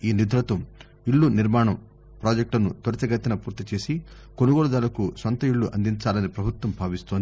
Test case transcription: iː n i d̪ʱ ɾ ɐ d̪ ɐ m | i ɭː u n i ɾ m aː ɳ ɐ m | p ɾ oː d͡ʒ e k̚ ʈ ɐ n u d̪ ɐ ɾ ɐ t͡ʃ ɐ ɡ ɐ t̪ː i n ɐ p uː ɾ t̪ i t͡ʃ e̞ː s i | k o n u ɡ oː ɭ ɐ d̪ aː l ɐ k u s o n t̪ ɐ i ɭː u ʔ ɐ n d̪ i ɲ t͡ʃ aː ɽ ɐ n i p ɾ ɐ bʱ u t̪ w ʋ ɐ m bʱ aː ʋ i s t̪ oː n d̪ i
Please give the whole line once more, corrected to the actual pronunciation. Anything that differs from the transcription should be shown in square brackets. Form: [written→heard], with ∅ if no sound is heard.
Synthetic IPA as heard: iː n i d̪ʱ ɾ ɐ [d̪→t̪] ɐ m | i ɭː u n i ɾ m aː ɳ ɐ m | p ɾ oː d͡ʒ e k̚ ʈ ɐ n u [d̪→t̪] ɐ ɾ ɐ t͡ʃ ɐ ɡ ɐ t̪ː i n ɐ p uː ɾ t̪ i t͡ʃ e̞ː s i | k o n u ɡ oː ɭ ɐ d̪ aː l ɐ k u s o n t̪ ɐ i ɭː u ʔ ɐ n d̪ i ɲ t͡ʃ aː [ɽ→l] ɐ n i p ɾ ɐ bʱ u t̪ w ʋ ɐ m bʱ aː ʋ i s t̪ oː n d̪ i